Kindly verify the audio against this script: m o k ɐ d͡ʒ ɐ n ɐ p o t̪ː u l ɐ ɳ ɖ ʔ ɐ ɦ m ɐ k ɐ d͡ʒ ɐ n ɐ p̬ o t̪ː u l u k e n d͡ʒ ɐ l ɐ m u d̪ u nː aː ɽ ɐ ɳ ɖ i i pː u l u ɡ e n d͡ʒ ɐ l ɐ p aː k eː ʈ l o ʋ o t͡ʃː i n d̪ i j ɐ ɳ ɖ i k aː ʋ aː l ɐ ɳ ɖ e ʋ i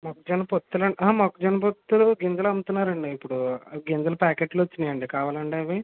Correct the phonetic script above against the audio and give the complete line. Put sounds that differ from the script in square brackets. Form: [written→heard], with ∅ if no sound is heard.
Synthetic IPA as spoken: m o k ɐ d͡ʒ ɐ n ɐ p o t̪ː u l ɐ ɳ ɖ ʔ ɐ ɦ m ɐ k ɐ d͡ʒ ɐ n ɐ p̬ o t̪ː u l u [k→ɡ] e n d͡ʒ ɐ l ɐ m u [d̪→t̪] u nː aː [ɽ→ɾ] ɐ ɳ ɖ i i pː u [l→ɽ] u ɡ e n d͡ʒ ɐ l ɐ p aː k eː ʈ l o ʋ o t͡ʃː i n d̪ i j ɐ ɳ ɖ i k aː ʋ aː l ɐ ɳ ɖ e ʋ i